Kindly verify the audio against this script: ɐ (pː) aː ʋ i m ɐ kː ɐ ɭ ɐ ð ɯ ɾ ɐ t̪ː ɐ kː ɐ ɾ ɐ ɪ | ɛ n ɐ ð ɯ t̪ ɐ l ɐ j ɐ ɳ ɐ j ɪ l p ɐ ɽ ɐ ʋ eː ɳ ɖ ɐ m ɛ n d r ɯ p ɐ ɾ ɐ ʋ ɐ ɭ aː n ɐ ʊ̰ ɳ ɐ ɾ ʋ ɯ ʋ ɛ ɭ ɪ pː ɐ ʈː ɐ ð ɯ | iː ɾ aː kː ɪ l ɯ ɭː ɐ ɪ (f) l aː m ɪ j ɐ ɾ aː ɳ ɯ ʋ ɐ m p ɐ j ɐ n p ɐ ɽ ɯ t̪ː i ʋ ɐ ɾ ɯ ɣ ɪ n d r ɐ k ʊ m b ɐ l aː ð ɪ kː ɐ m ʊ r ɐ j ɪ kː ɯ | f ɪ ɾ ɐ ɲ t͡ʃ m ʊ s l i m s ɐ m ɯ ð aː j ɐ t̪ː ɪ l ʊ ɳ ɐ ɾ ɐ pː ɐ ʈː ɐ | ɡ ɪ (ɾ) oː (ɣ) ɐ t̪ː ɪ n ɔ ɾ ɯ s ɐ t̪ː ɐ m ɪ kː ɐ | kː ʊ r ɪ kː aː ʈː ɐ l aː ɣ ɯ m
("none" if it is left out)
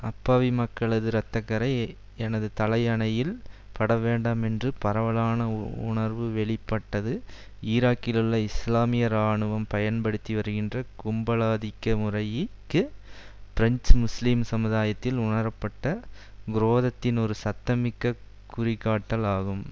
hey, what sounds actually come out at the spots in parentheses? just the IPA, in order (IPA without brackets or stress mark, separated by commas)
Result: pː, s, ɾ, ð